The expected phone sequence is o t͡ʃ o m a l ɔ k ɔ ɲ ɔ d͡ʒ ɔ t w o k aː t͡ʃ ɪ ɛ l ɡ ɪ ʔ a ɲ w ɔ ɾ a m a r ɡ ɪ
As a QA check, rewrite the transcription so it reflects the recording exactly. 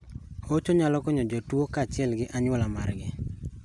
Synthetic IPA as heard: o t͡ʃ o ɲ a l ɔ k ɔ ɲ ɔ d͡ʒ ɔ t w o k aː t͡ʃ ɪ ɛ l ɡ ɪ ʔ a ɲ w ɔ l a m a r ɡ ɪ